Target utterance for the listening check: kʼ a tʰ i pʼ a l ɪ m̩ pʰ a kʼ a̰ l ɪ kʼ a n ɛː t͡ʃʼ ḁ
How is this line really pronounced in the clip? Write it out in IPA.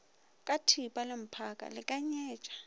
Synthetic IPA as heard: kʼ a tʰ i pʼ a l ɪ m̩ pʰ a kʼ a̰ l ɪ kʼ a ɲ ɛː t͡ʃʼ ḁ

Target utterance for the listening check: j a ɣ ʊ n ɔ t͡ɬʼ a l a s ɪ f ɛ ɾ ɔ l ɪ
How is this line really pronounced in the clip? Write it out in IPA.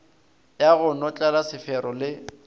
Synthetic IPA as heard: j a ɣ ʊ n ɔ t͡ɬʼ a l a s ɪ f ɛ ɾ ɔ l ɪ

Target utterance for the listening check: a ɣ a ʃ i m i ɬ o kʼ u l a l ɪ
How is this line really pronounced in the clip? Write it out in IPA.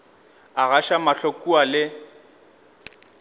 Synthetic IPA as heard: a ɣ a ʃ a m a ɬ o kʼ u a l ɪ

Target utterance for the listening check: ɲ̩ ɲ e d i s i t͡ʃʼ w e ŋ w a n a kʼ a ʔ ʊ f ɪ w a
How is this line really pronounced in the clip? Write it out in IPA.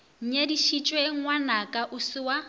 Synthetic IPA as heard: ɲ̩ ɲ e d i ʃ i t͡ʃʼ w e ŋ w a n a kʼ a ʔ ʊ s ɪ w a

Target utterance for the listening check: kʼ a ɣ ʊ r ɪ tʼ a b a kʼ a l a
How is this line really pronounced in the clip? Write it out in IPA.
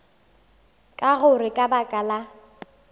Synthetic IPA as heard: kʼ a ɣ ʊ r ɪ kʼ a b a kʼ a l a

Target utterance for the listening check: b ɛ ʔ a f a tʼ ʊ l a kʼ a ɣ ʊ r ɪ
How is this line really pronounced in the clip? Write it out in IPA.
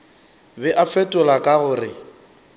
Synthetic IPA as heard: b ɛ ʔ a f ɛ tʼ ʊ l a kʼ a ɣ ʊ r ɪ

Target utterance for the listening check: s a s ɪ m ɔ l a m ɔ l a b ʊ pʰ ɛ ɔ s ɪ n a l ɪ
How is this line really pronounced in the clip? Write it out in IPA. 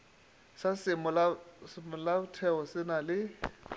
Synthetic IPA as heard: s a s ɪ m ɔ l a m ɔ l a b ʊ tʰ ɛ ɔ s ɪ n a l ɪ

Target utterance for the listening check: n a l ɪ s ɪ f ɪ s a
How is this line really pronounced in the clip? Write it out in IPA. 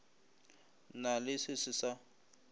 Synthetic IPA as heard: n a l ɪ s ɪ s ɪ s a

